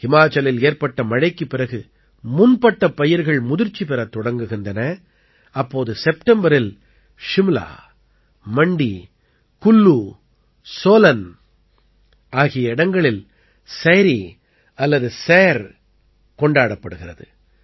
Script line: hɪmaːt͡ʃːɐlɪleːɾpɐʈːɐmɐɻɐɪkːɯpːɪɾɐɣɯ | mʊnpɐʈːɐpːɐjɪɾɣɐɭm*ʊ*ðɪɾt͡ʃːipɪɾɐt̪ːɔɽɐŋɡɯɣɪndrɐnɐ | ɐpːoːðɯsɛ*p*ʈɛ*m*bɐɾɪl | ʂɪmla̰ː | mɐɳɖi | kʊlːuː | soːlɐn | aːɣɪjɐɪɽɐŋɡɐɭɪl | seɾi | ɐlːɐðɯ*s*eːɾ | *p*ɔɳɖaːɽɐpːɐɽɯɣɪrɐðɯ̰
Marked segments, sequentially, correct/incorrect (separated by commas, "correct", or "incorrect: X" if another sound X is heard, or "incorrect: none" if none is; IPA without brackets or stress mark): correct, correct, correct, correct, incorrect: k